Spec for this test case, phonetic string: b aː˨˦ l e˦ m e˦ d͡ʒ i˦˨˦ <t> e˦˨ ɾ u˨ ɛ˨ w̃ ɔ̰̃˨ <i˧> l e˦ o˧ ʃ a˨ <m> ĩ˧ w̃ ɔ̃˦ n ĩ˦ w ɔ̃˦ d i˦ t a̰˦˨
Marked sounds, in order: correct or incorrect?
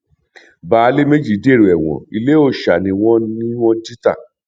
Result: incorrect: d, correct, incorrect: n

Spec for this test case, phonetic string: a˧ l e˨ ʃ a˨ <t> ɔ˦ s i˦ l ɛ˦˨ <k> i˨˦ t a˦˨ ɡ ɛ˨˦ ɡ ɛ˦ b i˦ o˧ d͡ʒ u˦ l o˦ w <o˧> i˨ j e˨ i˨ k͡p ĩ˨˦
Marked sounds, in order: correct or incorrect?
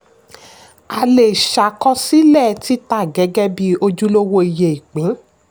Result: incorrect: k, incorrect: t, correct

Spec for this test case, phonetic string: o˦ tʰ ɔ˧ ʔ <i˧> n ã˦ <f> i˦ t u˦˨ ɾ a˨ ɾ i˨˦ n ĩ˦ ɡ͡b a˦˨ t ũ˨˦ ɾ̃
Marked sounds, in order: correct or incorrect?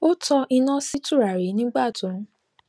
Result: correct, incorrect: s

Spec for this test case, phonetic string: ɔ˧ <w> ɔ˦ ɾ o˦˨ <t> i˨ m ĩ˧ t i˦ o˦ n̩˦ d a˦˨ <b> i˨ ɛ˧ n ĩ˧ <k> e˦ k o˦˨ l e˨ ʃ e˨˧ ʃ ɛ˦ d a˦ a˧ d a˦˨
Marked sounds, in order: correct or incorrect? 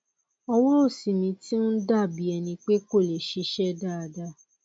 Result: correct, incorrect: s, correct, incorrect: k͡p

